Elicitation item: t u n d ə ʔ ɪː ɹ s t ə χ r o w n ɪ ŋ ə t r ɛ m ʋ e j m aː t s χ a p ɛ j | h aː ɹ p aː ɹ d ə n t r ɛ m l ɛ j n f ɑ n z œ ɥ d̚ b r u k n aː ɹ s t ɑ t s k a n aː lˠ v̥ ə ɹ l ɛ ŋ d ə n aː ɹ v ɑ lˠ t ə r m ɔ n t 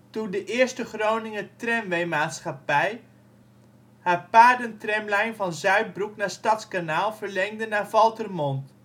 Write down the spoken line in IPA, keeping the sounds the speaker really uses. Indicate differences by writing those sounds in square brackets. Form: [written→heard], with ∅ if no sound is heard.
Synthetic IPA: t u n d ə ʔ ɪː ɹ s t ə χ r o w n ɪ ŋ ə t r ɛ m ʋ e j m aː t s χ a p ɛ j | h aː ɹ p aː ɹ d ə n t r ɛ m l ɛ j n [f→v] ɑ n z œ ɥ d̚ b r u k n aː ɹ s t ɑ t s k a n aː lˠ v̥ ə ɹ l ɛ ŋ d ə n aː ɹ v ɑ lˠ t ə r m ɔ n t